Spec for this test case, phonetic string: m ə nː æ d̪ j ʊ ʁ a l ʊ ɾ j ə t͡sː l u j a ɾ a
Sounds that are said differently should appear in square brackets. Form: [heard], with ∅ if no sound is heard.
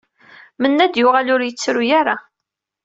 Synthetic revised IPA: m ə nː æ d̪ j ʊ ʁ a l ʊ ɾ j ə t͡sː [ɾ] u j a ɾ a